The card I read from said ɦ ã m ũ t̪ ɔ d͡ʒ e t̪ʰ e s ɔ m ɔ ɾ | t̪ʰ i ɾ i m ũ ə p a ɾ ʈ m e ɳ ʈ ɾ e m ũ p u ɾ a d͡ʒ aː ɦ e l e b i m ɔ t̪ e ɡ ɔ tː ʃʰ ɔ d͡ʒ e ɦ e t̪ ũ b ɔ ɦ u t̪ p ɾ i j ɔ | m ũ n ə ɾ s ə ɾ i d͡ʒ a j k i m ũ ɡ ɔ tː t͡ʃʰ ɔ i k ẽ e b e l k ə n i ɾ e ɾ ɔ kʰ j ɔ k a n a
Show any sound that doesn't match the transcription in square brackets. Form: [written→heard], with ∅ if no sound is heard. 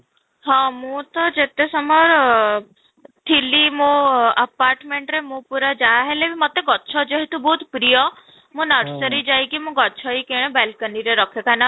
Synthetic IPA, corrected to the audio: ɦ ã m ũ t̪ ɔ d͡ʒ e [t̪ʰ→t̪] e s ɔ m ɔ ɾ | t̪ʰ i [ɾ→l] i m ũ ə p a ɾ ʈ m e ɳ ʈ ɾ e m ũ p u ɾ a d͡ʒ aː ɦ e l e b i m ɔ t̪ e ɡ ɔ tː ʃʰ ɔ d͡ʒ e ɦ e t̪ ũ b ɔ ɦ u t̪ p ɾ i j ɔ | m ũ n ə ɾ s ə ɾ i d͡ʒ a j k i m ũ ɡ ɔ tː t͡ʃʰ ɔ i k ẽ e b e l k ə n i ɾ e ɾ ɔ kʰ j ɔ k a n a